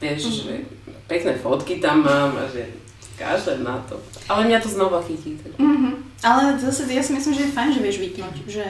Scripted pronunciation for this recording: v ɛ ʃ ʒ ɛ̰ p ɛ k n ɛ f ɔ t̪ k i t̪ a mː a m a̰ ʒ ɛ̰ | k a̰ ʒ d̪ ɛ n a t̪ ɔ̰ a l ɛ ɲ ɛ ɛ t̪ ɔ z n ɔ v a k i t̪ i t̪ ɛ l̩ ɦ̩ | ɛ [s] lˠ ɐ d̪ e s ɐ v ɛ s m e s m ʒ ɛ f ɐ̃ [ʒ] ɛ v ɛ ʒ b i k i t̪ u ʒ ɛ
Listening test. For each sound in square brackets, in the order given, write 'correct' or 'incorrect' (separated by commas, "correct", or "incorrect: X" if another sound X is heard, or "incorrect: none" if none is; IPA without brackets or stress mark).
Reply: incorrect: none, correct